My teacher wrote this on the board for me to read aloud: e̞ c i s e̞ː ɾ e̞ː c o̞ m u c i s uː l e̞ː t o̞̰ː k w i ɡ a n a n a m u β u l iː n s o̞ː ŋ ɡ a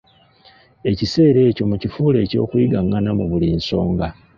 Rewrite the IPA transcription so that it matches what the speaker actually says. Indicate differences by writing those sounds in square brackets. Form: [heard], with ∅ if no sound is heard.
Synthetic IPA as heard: e̞ c i s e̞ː ɾ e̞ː c o̞ m u c i [f] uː l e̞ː [c] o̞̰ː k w i ɡ a [ŋ] a n a m u β u l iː n s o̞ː ŋ ɡ a

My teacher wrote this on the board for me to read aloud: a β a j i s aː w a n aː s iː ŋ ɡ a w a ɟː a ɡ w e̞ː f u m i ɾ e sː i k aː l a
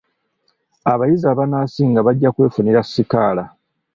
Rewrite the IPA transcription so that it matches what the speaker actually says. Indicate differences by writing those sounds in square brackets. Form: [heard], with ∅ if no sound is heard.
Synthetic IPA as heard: a β a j i [z] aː [β] a n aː s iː ŋ ɡ a [β] a ɟː a [k] w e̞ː f u [n] i ɾ [a] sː i k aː l a

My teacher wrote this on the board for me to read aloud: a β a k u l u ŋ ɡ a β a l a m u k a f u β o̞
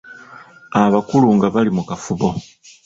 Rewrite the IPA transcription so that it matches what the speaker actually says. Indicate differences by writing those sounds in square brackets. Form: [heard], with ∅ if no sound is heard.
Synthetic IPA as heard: a β a k u l u ŋ ɡ a β a l [i] m u k a f u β o̞

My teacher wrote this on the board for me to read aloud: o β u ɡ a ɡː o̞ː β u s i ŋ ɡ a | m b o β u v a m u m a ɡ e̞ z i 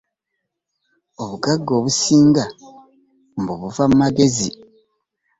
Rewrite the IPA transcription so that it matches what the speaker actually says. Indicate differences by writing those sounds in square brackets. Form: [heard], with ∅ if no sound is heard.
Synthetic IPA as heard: o β u ɡ a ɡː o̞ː β u s [iː] ŋ ɡ a | m b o β u v a m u m a ɡ e̞ z i

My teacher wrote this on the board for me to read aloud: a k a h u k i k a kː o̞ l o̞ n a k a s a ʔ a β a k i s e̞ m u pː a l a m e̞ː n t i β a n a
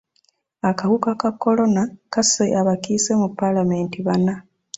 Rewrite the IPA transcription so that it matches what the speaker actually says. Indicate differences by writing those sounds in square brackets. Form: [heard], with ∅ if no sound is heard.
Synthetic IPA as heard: a k a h u k [a] k a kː o̞ l o̞ n a k a s [e] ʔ a β a k i s e̞ m u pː a l a m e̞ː n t i β a n a

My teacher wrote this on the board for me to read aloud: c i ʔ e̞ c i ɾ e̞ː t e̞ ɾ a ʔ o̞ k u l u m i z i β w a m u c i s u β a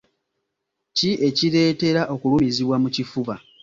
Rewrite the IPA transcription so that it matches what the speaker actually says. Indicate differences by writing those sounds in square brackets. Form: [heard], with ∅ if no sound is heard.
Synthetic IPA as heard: c i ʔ e̞ c i ɾ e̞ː t e̞ ɾ a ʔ o̞ k u l u m i z i β w a m u c i [f] u β a

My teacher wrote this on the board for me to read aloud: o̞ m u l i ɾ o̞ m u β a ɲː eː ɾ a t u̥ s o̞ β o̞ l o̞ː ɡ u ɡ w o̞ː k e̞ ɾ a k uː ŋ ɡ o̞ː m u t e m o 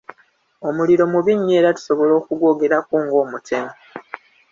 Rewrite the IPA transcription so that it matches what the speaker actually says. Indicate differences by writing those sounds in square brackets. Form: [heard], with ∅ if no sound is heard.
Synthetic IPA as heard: o̞ m u l i ɾ o̞ m u β [i] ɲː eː ɾ a t u̥ s o̞ β o̞ l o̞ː [k] u ɡ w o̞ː [ɡ] e̞ ɾ a k uː ŋ ɡ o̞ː m u t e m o

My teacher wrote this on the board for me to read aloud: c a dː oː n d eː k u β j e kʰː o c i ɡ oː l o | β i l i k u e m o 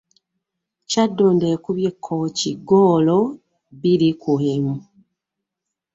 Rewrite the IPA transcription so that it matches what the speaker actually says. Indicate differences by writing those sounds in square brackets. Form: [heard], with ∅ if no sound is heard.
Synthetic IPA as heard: c a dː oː n d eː k u β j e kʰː o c i ɡ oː l o | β i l i k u e m [u]

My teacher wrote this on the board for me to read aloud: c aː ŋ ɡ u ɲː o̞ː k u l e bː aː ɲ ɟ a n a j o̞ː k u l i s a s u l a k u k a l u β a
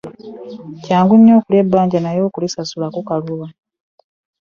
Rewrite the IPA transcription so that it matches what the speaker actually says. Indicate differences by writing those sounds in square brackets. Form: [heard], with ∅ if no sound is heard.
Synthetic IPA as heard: c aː ŋ ɡ u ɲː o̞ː k u l e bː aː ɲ ɟ a n a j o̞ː k u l i s a s u l a k u k a l u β a

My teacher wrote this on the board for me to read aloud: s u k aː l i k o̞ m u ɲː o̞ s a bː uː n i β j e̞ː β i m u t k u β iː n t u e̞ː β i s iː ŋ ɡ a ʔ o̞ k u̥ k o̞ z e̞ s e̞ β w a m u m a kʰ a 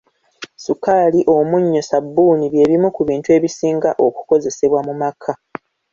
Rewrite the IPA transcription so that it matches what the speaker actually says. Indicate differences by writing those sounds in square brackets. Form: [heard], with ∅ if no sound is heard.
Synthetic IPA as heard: s u k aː l i [ʔ] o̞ m u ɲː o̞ s a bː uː n i β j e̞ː β i m u [∅] k u β iː n t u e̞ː β i s iː ŋ ɡ a ʔ o̞ k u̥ k o̞ z e̞ s e̞ β w a m u m a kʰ a

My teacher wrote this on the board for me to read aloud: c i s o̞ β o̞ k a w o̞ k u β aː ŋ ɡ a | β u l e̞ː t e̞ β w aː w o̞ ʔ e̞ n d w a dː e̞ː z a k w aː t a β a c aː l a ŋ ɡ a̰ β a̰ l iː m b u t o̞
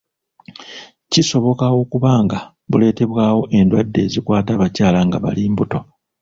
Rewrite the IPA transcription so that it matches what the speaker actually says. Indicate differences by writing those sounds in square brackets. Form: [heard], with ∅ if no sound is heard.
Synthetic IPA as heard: c i s o̞ β o̞ k a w o̞ k u β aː ŋ ɡ a | β u l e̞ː t e̞ β w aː w o̞ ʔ e̞ n d w a dː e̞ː z [i] k w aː t a β a c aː l a ŋ ɡ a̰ β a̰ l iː m b u t o̞

